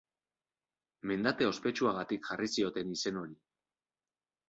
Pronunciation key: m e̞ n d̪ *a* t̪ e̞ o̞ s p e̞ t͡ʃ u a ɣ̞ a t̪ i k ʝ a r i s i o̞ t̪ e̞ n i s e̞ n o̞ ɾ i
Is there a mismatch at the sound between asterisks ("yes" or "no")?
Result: no